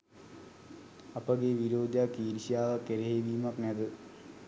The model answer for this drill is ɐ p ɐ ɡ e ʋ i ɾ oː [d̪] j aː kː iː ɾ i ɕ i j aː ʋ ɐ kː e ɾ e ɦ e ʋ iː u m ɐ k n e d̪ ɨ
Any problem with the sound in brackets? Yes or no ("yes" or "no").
no